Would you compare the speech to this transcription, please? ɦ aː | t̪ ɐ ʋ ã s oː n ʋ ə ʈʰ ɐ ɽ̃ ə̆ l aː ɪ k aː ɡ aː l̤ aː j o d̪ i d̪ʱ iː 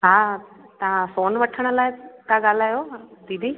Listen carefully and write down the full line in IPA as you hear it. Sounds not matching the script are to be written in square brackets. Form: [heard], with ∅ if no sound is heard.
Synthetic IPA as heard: ɦ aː | t̪ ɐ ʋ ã s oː n ʋ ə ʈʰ [ə] ɽ̃ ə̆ l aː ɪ k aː ɡ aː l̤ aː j o d̪ i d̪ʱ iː

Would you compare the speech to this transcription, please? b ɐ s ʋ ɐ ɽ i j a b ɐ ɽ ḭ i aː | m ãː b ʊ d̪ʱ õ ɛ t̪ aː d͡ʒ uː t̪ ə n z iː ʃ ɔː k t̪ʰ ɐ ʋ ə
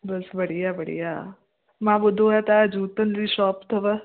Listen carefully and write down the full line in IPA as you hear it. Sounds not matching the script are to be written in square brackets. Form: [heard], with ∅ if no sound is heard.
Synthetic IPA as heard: b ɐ s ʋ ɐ ɽ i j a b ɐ ɽ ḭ [j] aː | m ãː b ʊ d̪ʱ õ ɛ t̪ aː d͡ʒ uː t̪ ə n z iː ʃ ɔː [p] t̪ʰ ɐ ʋ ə

